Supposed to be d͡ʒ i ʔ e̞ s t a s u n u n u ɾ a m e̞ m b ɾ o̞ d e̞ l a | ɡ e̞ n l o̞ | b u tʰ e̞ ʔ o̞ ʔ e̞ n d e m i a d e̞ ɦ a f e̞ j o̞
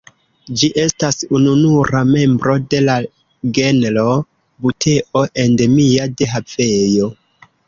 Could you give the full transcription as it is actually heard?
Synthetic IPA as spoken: d͡ʒ i ʔ e̞ s t a s u n u n u ɾ a m e̞ m b ɾ o̞ d e̞ l a | ɡ e̞ n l o̞ | b u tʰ e̞ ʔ o̞ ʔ e̞ n d e m i a d e̞ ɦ a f e̞ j o̞